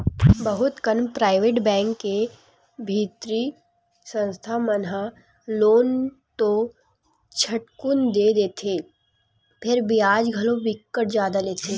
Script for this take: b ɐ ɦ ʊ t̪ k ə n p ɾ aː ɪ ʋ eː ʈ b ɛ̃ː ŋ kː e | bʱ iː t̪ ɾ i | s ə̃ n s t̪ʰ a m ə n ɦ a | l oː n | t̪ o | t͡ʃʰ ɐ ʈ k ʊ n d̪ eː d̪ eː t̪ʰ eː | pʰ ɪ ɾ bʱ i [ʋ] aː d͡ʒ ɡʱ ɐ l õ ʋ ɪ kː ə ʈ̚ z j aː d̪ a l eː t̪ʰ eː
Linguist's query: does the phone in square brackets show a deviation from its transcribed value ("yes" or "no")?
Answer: yes